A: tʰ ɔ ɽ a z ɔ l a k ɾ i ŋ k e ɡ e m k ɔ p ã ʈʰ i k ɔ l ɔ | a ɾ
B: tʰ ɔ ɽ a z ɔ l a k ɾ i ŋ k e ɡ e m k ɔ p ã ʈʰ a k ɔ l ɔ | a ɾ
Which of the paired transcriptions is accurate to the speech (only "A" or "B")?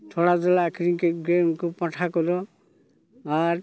B